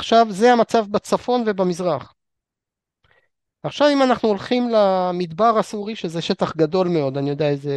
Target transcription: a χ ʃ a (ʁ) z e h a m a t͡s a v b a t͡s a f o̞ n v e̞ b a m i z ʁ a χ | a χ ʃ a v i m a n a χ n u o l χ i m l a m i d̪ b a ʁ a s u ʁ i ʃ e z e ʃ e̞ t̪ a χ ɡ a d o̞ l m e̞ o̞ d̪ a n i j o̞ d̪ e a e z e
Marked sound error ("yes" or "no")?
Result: yes